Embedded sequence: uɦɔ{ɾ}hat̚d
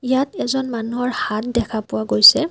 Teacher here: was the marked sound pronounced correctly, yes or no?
no